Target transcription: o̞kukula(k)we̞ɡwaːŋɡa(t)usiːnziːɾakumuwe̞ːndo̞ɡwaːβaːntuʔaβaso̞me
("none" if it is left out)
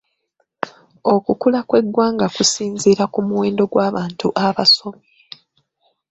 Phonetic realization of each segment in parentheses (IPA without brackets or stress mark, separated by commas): k, k